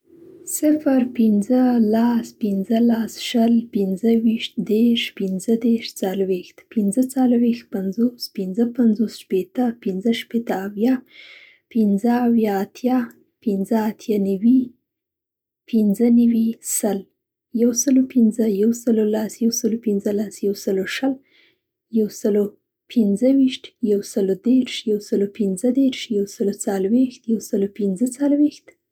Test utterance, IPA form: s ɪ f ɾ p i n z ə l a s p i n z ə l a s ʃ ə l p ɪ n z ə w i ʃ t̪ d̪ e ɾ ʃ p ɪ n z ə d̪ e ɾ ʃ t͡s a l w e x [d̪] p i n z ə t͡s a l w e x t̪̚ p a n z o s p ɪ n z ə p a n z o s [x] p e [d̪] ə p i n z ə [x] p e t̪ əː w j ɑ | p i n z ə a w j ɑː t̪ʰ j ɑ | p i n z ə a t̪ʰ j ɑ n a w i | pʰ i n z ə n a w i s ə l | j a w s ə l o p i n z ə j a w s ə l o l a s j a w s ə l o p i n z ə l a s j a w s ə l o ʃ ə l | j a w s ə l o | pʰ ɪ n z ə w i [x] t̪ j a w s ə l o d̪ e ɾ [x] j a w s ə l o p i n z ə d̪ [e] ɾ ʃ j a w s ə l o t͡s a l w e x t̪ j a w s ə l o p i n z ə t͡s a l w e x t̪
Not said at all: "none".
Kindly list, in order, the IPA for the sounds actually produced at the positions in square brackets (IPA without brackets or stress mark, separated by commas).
t̪, ʃ, t̪, ʃ, ʃ, ʃ, e